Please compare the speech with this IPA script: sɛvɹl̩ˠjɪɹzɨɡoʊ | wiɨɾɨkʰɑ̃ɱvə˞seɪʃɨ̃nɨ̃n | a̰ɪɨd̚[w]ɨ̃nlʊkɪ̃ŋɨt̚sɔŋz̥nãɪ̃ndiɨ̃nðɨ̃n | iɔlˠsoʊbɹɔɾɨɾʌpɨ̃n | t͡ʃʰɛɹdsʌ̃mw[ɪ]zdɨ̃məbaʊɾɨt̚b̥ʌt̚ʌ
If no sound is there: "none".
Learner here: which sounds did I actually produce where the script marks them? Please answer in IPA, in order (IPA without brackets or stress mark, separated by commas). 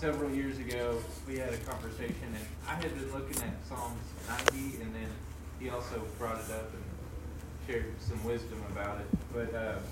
b, ɪ